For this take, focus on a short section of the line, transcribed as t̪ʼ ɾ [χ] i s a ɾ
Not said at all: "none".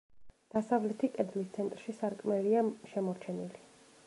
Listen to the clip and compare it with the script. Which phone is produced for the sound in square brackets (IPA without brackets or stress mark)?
ʃ